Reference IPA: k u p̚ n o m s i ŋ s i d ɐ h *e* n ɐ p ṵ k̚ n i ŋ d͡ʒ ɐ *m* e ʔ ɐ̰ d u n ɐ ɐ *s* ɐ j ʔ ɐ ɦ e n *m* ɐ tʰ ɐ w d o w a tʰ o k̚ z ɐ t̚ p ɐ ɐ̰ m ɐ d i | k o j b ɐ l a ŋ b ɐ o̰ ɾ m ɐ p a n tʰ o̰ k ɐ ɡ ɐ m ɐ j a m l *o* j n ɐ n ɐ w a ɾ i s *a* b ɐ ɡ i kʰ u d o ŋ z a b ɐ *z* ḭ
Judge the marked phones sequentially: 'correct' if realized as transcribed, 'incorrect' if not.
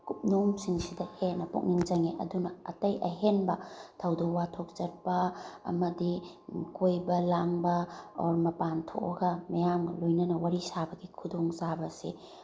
correct, incorrect: ŋ, incorrect: t, incorrect: b, correct, correct, incorrect: s

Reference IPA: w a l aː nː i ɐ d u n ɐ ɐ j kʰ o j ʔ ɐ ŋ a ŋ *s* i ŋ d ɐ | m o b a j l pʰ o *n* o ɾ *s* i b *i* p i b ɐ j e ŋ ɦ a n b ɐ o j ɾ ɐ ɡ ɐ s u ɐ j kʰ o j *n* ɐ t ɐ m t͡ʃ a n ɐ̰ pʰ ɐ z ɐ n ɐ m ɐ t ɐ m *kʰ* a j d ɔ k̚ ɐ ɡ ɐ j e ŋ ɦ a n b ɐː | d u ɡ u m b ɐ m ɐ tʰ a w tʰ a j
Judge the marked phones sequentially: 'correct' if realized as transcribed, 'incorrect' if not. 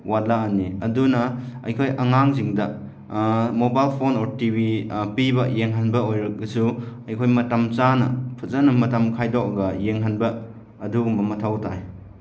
incorrect: z, correct, incorrect: t, correct, incorrect: m, correct

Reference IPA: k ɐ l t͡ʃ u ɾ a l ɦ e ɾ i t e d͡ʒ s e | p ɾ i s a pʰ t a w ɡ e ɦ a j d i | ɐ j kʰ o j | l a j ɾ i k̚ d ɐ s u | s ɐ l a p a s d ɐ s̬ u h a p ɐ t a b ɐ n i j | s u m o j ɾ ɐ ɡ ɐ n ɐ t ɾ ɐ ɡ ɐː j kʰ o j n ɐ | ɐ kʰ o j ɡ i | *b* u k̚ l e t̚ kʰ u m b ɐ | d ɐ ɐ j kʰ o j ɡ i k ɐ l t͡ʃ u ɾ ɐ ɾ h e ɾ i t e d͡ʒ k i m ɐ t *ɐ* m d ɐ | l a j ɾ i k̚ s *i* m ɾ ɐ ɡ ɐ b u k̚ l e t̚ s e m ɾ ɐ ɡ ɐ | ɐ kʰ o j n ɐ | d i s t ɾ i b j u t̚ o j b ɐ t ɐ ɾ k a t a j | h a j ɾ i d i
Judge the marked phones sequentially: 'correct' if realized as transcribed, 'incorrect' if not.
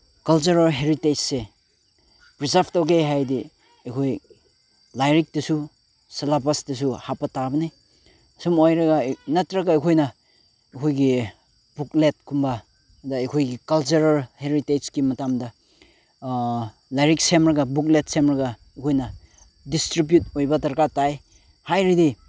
correct, incorrect: a, incorrect: e

